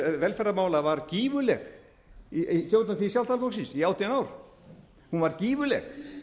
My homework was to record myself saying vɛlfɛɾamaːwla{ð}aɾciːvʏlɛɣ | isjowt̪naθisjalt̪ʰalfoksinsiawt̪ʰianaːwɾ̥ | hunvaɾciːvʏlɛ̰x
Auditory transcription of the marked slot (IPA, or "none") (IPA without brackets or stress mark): v